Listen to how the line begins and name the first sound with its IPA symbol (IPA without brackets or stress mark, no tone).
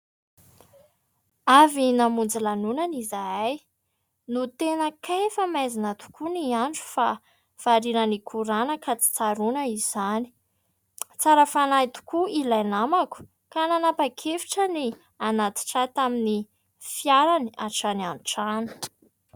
a